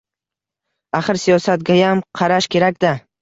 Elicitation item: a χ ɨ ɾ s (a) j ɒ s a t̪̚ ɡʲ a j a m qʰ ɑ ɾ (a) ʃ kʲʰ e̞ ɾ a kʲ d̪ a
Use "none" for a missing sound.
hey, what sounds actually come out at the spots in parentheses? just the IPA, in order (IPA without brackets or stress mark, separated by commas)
i, a